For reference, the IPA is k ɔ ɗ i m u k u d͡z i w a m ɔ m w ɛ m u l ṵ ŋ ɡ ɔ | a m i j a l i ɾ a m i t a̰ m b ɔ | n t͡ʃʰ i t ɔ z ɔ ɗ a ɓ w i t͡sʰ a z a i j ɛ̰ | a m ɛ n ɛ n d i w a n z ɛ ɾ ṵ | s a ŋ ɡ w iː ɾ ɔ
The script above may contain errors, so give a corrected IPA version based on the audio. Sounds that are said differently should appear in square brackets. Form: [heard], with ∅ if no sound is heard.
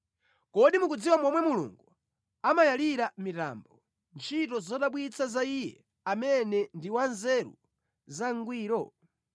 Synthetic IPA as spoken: k ɔ ɗ i m u k u d͡z i w a m ɔ m w ɛ m u l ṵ ŋ ɡ [u] | a m [a] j a l i ɾ a m i t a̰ m b ɔ | n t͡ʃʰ i t ɔ z ɔ ɗ a ɓ w i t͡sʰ a z a i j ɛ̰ | a m ɛ n ɛ n d i w a n z ɛ ɾ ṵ | [z] a ŋ ɡ w iː ɾ ɔ